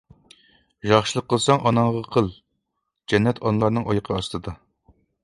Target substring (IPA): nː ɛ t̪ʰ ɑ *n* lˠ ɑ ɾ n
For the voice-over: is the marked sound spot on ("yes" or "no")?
yes